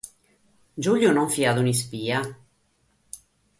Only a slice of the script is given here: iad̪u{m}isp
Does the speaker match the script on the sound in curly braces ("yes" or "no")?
no